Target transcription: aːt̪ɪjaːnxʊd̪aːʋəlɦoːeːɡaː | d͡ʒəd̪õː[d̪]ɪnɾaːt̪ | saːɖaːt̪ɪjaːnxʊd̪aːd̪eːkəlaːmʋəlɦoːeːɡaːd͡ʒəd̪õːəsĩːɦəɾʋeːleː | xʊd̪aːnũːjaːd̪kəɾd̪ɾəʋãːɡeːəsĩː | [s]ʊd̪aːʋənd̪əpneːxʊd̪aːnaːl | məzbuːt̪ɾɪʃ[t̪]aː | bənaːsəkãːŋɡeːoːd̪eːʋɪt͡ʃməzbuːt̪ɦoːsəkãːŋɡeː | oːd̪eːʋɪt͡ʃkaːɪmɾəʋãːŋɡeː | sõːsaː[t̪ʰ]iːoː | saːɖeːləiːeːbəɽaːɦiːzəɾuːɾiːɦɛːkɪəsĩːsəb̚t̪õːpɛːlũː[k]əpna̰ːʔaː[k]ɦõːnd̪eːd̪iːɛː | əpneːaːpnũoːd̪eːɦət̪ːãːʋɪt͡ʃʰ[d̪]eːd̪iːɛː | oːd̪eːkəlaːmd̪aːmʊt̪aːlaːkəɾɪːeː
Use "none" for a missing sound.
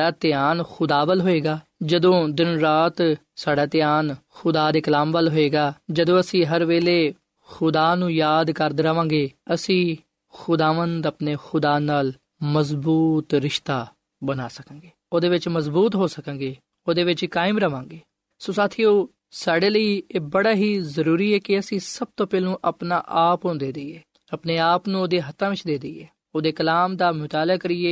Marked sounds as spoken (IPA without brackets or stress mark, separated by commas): d̪, x, t̪, t̪ʰ, ʔ, p, d̪